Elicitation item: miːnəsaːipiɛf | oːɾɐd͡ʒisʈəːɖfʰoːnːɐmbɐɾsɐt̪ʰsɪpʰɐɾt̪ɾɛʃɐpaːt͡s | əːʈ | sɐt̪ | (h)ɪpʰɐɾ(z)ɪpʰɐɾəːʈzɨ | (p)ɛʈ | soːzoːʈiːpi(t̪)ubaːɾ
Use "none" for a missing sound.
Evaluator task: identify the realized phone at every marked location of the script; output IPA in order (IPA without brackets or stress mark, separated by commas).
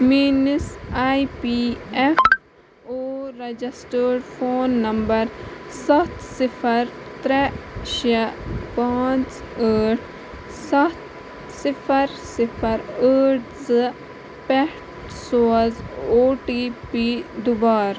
s, s, p, d̪